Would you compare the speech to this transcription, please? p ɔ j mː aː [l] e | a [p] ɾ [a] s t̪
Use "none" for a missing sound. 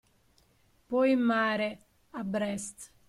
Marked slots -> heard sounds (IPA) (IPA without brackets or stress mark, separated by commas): ɾ, b, ɛ